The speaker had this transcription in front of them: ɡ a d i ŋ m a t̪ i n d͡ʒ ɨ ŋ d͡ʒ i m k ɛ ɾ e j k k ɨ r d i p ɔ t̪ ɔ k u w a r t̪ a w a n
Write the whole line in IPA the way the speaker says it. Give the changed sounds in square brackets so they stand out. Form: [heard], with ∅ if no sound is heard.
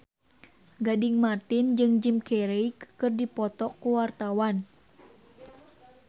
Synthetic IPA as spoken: ɡ a d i ŋ m a t̪ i n d͡ʒ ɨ ŋ d͡ʒ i m k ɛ ɾ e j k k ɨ r d i p ɔ t̪ ɔ k u w a r t̪ a w a n